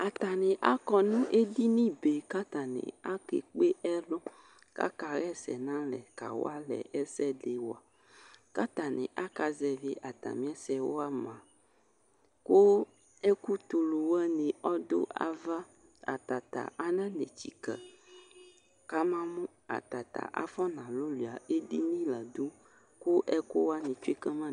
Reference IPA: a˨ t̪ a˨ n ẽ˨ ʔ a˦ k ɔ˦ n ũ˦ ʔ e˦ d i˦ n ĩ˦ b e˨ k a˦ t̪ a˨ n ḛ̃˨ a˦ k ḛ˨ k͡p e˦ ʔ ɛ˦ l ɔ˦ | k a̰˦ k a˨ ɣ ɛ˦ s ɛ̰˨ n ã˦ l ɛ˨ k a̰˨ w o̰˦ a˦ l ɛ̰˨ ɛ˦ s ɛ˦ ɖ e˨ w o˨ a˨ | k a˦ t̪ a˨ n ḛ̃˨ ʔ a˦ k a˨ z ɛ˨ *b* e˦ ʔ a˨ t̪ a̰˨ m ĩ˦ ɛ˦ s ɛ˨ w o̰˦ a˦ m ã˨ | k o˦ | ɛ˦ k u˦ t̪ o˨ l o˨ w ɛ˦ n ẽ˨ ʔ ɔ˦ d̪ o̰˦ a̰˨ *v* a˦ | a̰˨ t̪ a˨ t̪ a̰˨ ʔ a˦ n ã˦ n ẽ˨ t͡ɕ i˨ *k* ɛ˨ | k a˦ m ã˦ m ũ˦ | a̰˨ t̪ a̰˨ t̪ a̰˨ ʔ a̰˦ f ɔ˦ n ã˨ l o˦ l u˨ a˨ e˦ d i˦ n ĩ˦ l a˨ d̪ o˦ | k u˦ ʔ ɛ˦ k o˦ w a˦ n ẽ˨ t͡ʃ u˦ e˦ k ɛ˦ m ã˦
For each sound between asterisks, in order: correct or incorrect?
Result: incorrect, correct, correct

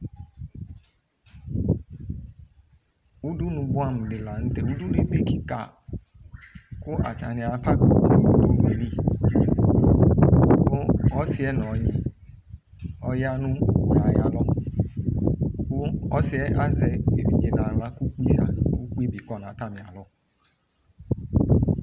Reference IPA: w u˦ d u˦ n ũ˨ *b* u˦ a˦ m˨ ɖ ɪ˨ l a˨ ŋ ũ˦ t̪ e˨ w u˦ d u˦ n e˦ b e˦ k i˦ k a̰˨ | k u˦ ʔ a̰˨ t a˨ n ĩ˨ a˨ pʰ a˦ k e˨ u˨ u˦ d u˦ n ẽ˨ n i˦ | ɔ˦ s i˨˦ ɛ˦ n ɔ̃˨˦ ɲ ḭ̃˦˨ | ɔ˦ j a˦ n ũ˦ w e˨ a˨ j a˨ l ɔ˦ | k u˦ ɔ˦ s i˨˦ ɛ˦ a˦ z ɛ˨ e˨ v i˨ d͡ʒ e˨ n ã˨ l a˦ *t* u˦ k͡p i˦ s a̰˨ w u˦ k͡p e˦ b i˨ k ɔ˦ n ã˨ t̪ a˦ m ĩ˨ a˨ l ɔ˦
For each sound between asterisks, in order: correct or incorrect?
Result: correct, incorrect

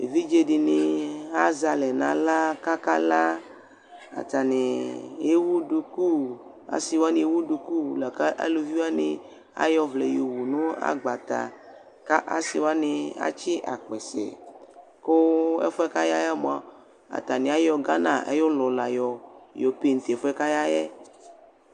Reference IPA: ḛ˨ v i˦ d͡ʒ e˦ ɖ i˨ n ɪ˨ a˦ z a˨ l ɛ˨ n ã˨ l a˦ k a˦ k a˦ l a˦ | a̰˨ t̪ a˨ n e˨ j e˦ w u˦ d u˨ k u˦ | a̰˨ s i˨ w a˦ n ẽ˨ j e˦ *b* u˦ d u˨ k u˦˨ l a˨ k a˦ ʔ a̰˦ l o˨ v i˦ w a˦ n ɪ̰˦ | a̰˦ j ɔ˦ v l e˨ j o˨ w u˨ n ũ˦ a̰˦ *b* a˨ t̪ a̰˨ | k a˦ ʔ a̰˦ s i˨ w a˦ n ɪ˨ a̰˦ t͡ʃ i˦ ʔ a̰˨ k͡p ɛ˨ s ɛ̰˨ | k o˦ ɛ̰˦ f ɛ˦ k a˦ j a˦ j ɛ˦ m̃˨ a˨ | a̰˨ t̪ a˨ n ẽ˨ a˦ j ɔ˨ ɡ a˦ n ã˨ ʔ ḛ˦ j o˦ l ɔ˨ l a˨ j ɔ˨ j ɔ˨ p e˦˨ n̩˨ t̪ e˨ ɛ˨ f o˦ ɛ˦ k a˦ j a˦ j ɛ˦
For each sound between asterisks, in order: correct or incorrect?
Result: incorrect, incorrect

